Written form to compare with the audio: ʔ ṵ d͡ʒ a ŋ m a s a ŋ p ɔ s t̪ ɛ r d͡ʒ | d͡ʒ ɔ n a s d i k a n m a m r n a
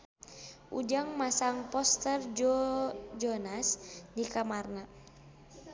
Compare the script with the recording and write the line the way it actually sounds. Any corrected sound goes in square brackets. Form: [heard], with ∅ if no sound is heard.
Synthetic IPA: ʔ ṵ d͡ʒ a ŋ m a s a ŋ p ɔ s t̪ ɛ r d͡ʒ | d͡ʒ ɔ n a s d i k a [∅] m a [∅] r n a